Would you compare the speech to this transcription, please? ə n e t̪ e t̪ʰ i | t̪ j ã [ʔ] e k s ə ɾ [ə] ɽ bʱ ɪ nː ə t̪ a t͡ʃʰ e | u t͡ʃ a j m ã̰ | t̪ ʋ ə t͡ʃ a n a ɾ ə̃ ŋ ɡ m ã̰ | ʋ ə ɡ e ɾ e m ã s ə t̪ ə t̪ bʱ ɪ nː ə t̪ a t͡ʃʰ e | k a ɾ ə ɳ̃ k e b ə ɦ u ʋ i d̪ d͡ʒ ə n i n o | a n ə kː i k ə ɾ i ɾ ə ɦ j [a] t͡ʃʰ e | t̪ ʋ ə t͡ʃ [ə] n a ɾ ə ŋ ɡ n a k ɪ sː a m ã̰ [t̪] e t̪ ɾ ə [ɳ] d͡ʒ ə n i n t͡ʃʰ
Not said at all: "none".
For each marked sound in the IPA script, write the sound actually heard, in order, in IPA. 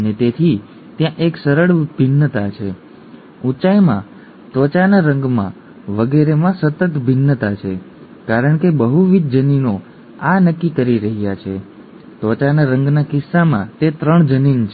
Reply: ʔ, ə, a, a, t̪, ɳ

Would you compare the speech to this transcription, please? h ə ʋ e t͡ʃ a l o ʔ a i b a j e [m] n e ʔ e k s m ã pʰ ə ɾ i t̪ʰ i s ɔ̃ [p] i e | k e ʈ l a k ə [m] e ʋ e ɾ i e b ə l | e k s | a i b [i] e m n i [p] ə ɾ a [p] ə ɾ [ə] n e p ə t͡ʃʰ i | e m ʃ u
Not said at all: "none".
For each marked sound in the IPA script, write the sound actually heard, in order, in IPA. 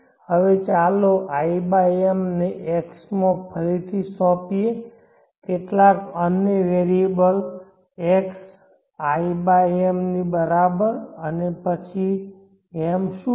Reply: m, p, n, a, b, b, ə

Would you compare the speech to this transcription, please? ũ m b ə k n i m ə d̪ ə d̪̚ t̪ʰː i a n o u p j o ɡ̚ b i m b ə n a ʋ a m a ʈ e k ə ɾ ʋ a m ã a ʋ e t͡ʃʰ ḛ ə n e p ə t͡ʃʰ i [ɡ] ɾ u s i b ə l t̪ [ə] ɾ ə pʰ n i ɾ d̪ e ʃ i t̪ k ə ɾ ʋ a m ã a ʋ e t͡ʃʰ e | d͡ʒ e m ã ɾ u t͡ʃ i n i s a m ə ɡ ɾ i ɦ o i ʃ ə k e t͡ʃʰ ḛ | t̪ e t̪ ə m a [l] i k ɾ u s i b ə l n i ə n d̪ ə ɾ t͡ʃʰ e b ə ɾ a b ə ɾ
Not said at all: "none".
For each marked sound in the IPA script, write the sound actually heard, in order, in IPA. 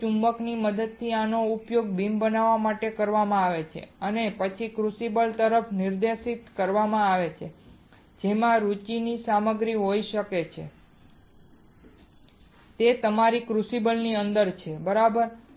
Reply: k, ə, ɾ

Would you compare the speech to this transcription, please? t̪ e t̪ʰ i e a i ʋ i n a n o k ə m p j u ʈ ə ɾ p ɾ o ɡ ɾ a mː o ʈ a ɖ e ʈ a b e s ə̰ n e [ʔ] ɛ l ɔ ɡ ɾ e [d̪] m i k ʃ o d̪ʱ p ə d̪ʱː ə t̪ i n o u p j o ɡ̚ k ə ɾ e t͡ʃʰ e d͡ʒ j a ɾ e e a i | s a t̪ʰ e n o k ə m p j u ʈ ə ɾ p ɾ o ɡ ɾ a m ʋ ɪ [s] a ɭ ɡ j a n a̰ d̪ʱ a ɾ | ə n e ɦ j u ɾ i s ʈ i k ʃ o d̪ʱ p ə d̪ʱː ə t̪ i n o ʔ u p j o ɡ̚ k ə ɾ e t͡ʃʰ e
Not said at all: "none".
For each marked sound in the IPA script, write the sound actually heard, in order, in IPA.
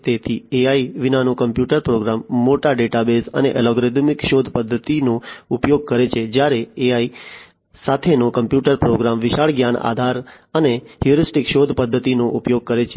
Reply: ʔ, d̪, ʃ

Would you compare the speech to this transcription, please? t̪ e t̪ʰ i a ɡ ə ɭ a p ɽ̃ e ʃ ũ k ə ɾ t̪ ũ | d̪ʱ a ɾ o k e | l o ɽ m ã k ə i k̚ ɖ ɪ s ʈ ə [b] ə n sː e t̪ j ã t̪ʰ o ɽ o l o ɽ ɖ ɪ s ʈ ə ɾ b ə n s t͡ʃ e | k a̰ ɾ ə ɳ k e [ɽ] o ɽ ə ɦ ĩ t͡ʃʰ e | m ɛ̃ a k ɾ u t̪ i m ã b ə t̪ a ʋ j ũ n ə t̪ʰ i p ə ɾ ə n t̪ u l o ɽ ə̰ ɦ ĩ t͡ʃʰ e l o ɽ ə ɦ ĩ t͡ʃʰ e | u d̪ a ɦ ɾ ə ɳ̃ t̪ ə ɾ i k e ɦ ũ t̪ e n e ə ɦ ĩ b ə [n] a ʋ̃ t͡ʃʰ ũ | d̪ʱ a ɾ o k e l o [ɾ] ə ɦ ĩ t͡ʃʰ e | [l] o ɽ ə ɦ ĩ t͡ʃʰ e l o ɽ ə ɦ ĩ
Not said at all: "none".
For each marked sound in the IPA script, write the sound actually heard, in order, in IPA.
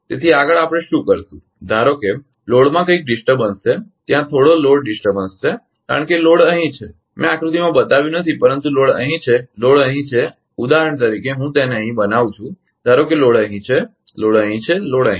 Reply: b, l, n, ɽ, l

